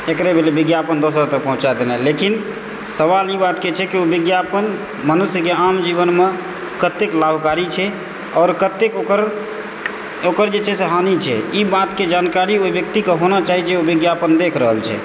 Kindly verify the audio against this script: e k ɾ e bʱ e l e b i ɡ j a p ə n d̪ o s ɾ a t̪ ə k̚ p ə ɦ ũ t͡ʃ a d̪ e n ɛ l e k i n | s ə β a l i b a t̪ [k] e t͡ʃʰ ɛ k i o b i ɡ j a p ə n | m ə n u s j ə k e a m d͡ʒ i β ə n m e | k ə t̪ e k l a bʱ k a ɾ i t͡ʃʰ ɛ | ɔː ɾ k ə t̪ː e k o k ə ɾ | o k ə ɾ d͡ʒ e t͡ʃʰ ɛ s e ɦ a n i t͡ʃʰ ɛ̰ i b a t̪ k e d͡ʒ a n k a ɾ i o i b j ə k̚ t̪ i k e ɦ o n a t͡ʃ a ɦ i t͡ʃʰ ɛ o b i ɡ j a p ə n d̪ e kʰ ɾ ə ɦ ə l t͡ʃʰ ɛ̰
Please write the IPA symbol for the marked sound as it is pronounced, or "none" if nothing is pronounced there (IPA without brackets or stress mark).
k